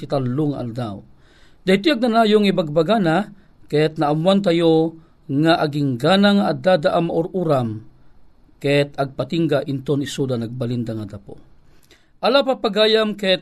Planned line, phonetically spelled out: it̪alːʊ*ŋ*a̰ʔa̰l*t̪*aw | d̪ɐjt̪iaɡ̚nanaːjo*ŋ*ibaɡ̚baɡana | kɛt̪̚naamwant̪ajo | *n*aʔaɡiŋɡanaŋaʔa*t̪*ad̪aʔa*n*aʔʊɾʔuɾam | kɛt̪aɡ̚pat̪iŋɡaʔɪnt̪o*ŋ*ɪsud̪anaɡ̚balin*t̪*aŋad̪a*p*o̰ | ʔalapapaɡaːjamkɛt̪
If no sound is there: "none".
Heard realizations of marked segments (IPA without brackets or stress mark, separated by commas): ŋ, d̪, ŋ, ŋ, d̪, m, n, d̪, p